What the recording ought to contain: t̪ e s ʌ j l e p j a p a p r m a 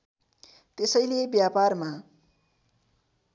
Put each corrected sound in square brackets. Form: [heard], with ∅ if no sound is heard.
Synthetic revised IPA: t̪ e s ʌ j l e [b] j a p a [∅] r m a